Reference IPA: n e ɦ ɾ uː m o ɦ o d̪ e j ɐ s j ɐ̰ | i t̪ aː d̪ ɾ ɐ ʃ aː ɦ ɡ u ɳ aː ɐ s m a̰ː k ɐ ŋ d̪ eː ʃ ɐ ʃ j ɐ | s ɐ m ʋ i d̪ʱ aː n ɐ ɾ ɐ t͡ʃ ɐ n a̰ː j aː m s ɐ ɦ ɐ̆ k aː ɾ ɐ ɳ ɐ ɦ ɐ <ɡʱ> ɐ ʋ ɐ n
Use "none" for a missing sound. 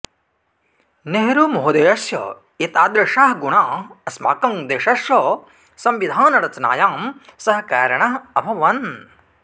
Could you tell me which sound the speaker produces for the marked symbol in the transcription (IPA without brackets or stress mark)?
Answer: bʱ